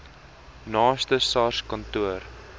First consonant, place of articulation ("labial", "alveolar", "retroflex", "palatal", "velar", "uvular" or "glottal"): alveolar